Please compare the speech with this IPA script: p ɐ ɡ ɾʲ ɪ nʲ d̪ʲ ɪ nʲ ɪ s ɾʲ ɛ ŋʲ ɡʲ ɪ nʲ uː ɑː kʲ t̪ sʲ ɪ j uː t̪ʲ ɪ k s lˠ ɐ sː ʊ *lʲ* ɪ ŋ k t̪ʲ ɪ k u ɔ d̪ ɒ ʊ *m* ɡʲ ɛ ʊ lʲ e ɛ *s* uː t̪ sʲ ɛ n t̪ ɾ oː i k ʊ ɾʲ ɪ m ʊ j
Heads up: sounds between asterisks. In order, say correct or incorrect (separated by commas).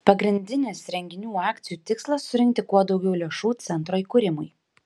incorrect, incorrect, incorrect